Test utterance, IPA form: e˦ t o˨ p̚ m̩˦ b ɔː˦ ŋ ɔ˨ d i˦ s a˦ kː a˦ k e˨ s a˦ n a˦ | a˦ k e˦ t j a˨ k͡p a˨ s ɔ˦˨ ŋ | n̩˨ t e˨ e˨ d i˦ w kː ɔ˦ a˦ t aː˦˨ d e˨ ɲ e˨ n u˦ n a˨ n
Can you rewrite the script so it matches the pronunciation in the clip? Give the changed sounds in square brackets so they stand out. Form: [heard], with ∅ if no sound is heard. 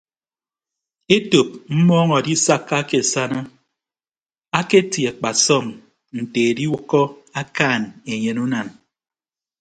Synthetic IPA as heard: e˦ t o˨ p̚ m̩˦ [m] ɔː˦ ŋ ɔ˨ d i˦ s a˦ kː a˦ k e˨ s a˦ n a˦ | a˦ k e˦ t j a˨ k͡p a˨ s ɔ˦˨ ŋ | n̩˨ t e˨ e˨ d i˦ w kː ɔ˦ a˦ [k] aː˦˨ [n] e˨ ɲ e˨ n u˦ n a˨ n